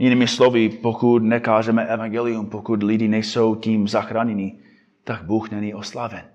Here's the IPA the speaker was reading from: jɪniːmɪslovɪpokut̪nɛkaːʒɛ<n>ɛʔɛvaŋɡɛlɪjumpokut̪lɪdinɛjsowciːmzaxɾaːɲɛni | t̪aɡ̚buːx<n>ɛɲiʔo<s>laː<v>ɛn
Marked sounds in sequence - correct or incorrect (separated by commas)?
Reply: incorrect, correct, correct, correct